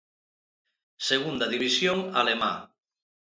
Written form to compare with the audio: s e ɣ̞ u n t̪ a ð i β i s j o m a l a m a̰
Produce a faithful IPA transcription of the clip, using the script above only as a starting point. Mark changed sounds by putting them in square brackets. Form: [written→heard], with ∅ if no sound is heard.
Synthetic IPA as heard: s e ɣ̞ u n [t̪→d̪] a ð i β i s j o [m→ŋ] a l [a→e] m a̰